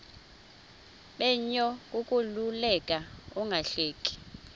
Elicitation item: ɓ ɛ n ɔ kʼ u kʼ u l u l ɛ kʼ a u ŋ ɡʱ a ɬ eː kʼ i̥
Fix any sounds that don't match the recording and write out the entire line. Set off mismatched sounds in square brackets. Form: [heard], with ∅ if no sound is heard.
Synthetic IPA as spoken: ɓ ɛ [ɲ] ɔ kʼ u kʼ u l u l ɛ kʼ a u ŋ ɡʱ a ɬ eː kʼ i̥